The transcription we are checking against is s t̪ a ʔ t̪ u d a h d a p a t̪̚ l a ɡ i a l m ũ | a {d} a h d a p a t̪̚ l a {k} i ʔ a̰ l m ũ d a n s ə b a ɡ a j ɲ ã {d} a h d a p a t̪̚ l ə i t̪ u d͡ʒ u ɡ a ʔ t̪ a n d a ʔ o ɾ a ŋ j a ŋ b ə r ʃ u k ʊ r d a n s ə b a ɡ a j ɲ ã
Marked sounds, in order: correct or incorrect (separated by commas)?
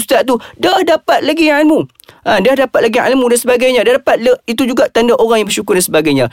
correct, incorrect, correct